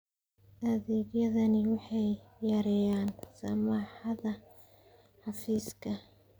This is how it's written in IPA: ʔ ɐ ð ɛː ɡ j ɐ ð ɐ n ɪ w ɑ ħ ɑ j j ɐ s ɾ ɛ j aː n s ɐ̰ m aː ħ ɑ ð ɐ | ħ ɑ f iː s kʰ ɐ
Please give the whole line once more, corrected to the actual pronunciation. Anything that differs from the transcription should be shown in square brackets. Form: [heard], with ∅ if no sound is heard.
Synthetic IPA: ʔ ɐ ð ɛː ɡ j ɐ ð ɐ n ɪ w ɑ ħ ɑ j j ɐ [∅] ɾ ɛ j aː n s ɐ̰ m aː ħ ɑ ð ɐ | ħ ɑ f iː s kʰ ɐ